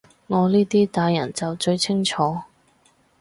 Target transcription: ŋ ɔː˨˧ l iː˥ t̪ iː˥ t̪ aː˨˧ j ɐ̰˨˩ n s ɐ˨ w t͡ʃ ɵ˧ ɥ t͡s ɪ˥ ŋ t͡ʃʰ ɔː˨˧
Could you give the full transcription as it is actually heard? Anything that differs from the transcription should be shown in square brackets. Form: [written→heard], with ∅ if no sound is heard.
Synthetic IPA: ŋ ɔː˨˧ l iː˥ t̪ iː˥ t̪ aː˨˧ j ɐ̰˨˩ n [s→t͡s] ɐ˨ w t͡ʃ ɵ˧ ɥ [t͡s→t͡sʰ] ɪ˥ ŋ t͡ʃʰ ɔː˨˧